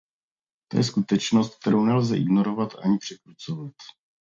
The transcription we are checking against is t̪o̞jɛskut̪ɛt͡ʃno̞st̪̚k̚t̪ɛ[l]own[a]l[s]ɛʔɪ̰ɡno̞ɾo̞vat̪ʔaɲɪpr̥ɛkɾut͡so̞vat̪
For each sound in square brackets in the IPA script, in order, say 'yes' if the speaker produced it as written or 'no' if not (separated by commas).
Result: no, no, no